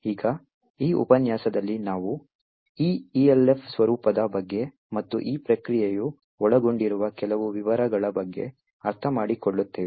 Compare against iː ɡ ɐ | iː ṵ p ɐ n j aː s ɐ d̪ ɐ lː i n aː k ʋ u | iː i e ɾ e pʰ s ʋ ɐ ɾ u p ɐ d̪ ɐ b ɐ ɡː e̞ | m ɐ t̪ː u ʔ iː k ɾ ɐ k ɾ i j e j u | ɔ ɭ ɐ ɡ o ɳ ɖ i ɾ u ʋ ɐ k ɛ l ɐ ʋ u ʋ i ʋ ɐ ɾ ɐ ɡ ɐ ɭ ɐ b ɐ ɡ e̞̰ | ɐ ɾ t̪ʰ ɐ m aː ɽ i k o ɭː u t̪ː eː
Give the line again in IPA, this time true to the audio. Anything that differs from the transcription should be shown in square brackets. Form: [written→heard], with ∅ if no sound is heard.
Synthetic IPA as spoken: iː ɡ ɐ | iː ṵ p ɐ n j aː s ɐ d̪ ɐ lː i n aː [k→∅] ʋ u | iː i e [ɾ→l] e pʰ s ʋ ɐ ɾ [u→uː] p ɐ d̪ ɐ b ɐ ɡː e̞ | m ɐ t̪ː u ʔ iː [k→p] ɾ ɐ k ɾ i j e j u | ɔ ɭ ɐ ɡ o ɳ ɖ i ɾ u ʋ ɐ k ɛ l ɐ ʋ u ʋ i ʋ ɐ ɾ ɐ ɡ ɐ ɭ ɐ b ɐ [ɡ→ɡː] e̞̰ | ɐ ɾ t̪ʰ ɐ m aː ɽ i k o ɭː u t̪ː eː

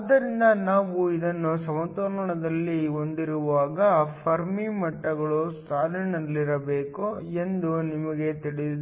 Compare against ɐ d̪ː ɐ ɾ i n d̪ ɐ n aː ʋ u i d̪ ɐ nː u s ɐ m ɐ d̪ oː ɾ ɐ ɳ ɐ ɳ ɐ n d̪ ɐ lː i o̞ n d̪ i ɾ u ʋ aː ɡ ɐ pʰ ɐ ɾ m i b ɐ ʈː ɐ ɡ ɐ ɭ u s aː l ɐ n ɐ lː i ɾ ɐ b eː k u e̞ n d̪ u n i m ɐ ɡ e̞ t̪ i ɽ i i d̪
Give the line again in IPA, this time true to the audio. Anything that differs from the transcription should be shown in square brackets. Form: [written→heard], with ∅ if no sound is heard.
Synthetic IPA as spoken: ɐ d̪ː ɐ ɾ i n d̪ ɐ n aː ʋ u i d̪ ɐ nː u s ɐ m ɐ [d̪→t̪] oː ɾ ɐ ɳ ɐ ɳ ɐ [n→∅] d̪ ɐ lː i o̞ n d̪ i ɾ u ʋ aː ɡ ɐ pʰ ɐ ɾ m i [b→m] ɐ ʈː ɐ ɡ ɐ ɭ u s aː l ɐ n ɐ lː i ɾ ɐ b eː k u e̞ n d̪ u n i m ɐ ɡ e̞ t̪ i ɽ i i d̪

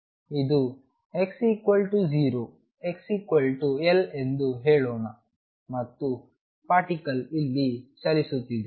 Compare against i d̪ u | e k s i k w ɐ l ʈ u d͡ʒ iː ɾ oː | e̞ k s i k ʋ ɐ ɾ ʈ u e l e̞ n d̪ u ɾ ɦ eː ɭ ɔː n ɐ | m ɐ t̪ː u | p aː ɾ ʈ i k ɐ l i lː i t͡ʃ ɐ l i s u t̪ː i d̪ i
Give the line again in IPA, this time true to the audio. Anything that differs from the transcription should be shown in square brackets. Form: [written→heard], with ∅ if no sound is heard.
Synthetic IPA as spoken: i d̪ u | e k s i k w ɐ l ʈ u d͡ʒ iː ɾ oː | e̞ k s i k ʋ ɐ [ɾ→l] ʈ u e l e̞ n d̪ u [ɾ→∅] ɦ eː ɭ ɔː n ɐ | m ɐ t̪ː u | p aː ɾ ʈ i k ɐ l i lː i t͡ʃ ɐ l i s u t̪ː i d̪ [i→e]

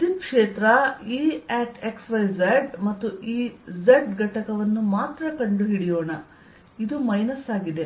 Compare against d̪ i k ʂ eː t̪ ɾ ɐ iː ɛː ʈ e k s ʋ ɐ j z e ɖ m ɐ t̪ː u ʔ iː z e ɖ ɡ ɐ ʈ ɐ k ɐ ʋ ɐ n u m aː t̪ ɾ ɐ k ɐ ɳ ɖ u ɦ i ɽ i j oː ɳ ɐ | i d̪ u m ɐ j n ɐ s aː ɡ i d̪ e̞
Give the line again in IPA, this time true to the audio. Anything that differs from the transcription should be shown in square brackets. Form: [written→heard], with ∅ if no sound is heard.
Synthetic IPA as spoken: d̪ i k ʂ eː t̪ ɾ ɐ iː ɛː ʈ e k s ʋ ɐ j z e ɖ m ɐ t̪ː u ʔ iː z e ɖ ɡ ɐ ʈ ɐ k ɐ ʋ ɐ [n→nː] u m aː t̪ ɾ ɐ k ɐ ɳ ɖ u ɦ i ɽ i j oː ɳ ɐ | i d̪ u m ɐ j n ɐ s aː ɡ i d̪ e̞

